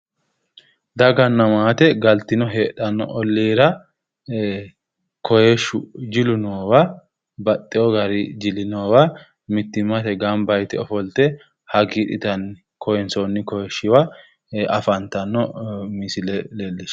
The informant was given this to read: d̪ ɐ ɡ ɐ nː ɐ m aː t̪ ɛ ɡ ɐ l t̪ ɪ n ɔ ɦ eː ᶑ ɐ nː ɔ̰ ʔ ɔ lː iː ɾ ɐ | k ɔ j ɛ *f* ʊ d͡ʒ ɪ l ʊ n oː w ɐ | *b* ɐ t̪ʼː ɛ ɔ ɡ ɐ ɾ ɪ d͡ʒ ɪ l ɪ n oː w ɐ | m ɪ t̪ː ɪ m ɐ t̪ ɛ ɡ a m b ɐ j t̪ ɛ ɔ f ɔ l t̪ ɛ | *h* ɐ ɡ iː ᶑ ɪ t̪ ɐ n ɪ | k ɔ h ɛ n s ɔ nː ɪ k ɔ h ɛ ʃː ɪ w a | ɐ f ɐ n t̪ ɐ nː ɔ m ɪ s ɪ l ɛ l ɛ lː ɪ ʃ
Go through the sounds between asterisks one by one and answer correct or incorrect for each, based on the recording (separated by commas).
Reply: incorrect, correct, correct